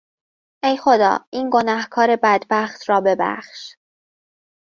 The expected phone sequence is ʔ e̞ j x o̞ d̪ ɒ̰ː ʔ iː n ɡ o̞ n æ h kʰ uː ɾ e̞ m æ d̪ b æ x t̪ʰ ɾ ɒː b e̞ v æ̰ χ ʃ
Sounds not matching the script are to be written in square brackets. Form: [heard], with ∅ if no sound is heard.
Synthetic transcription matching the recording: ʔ e̞ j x o̞ d̪ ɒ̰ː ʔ iː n ɡ o̞ n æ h kʰ [ɒː] ɾ e̞ [b] æ d̪ b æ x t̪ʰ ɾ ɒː b e̞ [b] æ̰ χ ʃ